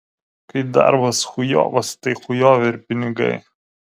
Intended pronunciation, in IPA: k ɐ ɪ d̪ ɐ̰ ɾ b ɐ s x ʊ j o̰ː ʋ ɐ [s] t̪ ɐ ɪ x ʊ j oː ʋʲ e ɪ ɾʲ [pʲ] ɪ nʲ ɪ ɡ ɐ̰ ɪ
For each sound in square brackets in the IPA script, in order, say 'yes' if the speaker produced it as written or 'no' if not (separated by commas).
yes, yes